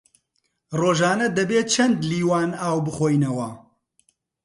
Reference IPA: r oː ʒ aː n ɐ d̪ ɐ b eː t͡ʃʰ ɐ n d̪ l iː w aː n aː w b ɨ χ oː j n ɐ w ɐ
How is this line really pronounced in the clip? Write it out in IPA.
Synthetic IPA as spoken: r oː ʒ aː n ɐ d̪ ɐ b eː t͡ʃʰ ɐ n d̪ l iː w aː n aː w b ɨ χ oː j n ɐ w ɐ